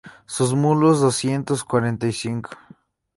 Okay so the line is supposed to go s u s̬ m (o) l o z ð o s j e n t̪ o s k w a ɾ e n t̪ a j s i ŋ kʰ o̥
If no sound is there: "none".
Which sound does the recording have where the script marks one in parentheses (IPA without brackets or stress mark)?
u